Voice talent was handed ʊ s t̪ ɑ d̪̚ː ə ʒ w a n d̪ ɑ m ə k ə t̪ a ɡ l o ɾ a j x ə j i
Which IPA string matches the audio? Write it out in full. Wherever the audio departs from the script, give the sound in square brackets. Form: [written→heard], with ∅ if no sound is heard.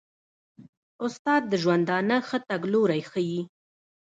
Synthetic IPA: ʊ s t̪ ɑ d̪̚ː ə ʒ w a n d̪ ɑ [m→n] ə [k→x] ə t̪ a ɡ l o ɾ a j x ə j i